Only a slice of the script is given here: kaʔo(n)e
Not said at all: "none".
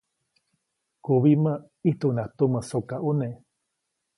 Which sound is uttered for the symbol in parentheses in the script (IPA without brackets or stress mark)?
n